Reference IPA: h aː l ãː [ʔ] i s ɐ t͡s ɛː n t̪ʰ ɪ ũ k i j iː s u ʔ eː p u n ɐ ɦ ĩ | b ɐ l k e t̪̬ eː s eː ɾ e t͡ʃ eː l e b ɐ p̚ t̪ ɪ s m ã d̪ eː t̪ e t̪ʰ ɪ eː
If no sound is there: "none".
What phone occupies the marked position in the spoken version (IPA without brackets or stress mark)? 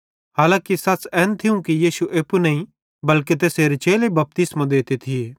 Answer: k